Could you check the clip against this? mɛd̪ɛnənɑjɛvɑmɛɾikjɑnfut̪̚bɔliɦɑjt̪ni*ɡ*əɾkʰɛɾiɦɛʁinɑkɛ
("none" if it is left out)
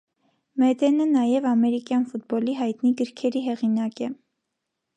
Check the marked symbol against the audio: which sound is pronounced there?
ɡ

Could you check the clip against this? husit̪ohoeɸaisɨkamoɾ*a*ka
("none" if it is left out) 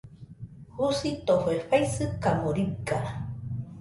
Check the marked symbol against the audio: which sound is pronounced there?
i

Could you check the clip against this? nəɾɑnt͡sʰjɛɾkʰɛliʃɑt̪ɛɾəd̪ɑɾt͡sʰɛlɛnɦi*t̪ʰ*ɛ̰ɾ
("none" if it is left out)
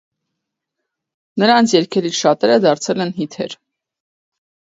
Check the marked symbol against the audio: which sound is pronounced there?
t̪ʰ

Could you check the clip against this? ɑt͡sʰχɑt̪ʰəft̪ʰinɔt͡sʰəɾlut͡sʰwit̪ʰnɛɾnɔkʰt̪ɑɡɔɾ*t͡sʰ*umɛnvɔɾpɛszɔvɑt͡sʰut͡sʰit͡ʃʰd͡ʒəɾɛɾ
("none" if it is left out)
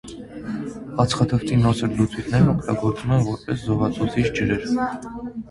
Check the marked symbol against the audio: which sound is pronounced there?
t͡s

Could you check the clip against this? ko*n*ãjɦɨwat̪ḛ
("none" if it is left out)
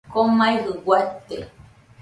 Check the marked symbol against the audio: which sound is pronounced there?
m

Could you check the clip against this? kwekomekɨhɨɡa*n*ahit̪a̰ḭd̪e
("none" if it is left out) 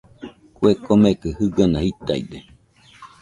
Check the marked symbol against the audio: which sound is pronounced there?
n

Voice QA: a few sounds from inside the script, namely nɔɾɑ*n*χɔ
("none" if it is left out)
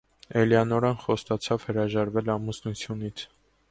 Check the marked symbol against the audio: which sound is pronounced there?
n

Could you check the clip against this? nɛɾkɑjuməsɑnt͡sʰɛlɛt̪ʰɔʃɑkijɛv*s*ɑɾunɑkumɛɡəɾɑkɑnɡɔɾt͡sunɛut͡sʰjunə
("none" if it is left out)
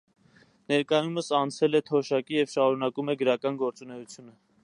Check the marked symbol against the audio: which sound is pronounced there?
ʃ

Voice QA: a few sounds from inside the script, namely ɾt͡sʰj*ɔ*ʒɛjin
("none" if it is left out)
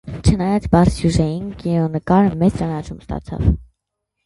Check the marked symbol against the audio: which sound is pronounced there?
u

